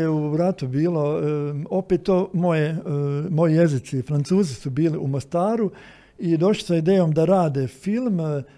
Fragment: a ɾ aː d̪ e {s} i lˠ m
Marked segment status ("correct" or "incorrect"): incorrect